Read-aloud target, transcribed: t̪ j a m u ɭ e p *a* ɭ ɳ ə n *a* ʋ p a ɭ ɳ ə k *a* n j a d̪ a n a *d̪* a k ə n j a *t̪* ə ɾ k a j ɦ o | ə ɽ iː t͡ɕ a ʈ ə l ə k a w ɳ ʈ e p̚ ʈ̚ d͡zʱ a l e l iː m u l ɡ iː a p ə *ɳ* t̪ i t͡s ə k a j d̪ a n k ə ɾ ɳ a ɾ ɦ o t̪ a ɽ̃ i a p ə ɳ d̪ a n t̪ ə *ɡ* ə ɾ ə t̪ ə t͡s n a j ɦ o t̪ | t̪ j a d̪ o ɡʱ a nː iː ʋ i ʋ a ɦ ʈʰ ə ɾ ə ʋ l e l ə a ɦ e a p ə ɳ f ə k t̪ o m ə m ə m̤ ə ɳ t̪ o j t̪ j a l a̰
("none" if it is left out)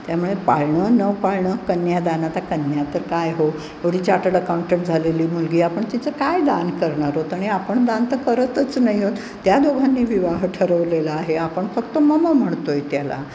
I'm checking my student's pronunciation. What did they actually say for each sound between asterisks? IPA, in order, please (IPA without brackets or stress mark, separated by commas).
a, ə, ə, t̪, t̪, ɳ, k